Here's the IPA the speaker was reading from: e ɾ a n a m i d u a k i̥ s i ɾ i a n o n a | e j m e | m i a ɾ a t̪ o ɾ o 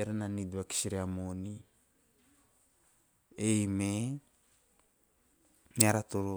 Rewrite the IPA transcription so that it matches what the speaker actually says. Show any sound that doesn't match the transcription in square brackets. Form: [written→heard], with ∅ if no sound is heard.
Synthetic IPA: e ɾ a n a [m→n] i d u a k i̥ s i ɾ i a [n→m] o n [a→i] | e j m e | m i a ɾ a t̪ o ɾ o